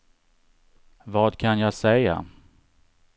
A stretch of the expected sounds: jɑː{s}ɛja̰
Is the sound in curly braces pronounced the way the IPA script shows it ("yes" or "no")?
yes